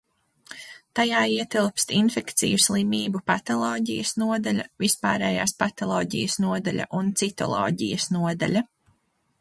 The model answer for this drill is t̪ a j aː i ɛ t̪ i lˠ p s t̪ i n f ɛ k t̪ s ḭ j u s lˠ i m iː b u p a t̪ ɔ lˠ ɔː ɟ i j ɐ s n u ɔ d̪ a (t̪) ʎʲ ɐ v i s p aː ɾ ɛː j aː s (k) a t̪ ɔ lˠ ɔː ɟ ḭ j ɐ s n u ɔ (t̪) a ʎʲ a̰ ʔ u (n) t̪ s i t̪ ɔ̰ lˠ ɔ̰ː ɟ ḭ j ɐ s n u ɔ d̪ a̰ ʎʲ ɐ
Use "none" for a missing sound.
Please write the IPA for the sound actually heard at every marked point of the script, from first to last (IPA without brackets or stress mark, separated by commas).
none, p, d̪, n